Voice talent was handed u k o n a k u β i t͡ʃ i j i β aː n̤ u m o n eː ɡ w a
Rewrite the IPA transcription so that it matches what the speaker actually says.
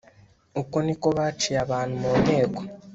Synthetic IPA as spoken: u k o n i k o β a t͡ʃ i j a β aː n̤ u m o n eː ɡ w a

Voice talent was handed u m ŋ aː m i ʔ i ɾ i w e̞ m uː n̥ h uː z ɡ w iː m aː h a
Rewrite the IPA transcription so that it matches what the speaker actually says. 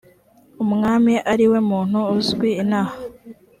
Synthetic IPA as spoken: u m ŋ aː m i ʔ a ɾ i w e̞ m uː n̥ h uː z ɡ w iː n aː h a

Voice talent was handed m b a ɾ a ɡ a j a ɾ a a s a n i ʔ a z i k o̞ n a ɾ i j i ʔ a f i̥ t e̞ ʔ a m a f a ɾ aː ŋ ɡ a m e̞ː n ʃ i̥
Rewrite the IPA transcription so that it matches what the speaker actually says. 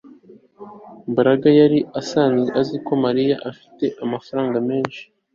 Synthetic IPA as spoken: m b a ɾ a ɡ a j a ɾ i a s a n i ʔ a z i k o̞ m a ɾ i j a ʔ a f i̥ t e̞ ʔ a m a f a ɾ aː ŋ ɡ a m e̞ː n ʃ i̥

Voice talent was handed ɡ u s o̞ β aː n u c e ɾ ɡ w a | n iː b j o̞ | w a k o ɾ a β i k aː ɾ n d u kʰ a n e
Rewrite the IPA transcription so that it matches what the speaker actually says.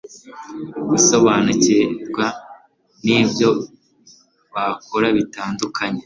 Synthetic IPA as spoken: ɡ u s o̞ β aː n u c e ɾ ɡ w a | n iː b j o̞ | β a k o ɾ a β i t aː n d u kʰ a ɲ e

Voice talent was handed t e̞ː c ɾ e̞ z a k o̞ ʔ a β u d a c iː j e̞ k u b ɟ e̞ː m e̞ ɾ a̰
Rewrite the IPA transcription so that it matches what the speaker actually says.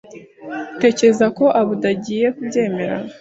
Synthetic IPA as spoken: t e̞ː c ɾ e̞ z a k o̞ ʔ a β u d a ɟ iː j e̞ k u b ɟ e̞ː m e̞ ɾ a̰

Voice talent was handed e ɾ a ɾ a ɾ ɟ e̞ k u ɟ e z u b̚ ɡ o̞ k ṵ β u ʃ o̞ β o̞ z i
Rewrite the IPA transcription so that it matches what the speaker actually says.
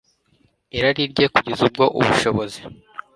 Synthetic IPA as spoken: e ɾ a ɾ i ɾ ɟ e̞ k u ɟ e z u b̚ ɡ o̞ ʔ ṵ β u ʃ o̞ β o̞ z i

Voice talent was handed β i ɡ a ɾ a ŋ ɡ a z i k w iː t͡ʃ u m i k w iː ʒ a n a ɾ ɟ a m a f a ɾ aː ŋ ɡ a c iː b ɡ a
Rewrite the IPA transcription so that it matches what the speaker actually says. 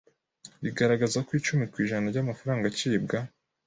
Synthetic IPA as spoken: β i ɡ a ɾ a ɡ a z a k w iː t͡ʃ u m i k w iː ʒ a n a ɾ ɟ a m a f a ɾ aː ŋ ɡ a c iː b ɡ a

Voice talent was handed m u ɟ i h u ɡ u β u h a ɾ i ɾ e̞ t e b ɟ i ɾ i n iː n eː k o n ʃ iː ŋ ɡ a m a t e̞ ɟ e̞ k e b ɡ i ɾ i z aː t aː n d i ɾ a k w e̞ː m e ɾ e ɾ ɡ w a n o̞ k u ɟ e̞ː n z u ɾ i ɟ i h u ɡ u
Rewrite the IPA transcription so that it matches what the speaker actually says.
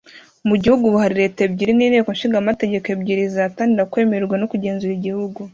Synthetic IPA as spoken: m u ɟ i h u ɡ u β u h a ɾ i ɾ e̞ t e b ɟ i ɾ i n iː n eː k o n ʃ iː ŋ ɡ a m a t e̞ ɟ e̞ k e b ɟ i ɾ i z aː t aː n d i ɾ a k w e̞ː m e ɾ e ɾ ɡ w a n o̞ k u ɟ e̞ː n z u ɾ i ɟ i h u ɡ u

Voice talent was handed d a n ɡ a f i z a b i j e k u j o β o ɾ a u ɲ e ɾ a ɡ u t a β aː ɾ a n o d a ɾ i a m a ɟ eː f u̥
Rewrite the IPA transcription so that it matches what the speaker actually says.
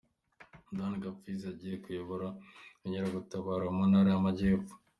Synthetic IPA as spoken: d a n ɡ a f i z a ɟ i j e k u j o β o ɾ a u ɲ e ɾ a ɡ u t a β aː ɾ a m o n a ɾ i a m a ɟ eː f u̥

